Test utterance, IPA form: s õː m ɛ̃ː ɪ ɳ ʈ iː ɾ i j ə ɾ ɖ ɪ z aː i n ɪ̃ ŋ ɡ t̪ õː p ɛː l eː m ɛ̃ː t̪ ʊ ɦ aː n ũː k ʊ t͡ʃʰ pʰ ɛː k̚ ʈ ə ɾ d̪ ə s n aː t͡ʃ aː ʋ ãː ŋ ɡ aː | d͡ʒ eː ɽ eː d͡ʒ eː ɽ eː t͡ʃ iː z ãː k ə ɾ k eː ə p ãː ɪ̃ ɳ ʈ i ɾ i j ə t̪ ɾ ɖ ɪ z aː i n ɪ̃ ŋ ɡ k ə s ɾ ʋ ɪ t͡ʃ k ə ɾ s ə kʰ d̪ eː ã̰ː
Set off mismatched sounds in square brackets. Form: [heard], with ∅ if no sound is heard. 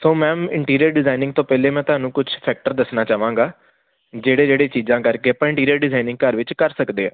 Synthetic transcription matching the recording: s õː m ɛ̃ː ɪ ɳ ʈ iː ɾ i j ə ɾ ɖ ɪ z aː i n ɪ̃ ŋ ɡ t̪ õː p ɛː l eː m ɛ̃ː t̪ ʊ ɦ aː n ũː k ʊ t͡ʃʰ pʰ ɛː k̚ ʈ ə ɾ d̪ ə s n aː t͡ʃ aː ʋ ãː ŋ ɡ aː | d͡ʒ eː ɽ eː d͡ʒ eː ɽ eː t͡ʃ iː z ãː k ə ɾ k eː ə p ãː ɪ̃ ɳ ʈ [iː] ɾ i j ə [∅] ɾ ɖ ɪ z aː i n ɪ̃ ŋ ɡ k ə [∅] ɾ ʋ ɪ t͡ʃ k ə ɾ s ə [k] d̪ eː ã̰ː